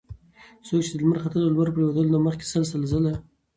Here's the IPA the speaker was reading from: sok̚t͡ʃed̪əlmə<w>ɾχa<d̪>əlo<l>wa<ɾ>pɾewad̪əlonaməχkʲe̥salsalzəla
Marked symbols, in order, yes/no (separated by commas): no, no, yes, yes